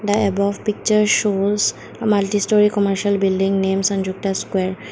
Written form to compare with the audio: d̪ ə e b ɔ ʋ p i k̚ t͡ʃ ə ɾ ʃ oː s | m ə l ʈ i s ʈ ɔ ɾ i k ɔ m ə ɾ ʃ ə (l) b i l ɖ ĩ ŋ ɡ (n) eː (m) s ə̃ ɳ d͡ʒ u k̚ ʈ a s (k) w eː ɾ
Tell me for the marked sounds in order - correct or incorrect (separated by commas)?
correct, correct, correct, correct